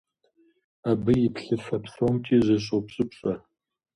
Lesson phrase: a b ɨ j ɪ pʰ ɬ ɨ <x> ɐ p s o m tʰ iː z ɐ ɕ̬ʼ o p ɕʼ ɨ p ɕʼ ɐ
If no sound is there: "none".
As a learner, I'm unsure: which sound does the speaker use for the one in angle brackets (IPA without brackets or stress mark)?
f